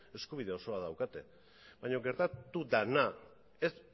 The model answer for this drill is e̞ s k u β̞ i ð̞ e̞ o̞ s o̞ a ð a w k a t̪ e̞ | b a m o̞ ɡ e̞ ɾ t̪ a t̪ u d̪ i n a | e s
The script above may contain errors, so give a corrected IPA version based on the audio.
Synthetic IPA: e̞ s k u β̞ i ð̞ e̞ o̞ s o̞ a ð a w k a t̪ e̞ | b a ɲ o̞ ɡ e̞ ɾ t̪ a t̪ u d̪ a n a | e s